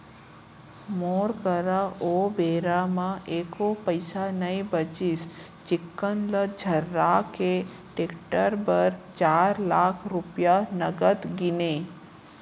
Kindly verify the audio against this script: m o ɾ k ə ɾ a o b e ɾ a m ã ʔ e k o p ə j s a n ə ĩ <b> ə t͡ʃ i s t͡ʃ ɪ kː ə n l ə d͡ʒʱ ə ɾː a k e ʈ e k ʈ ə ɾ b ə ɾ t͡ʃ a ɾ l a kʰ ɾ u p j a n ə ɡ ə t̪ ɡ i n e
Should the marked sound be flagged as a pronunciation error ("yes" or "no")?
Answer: no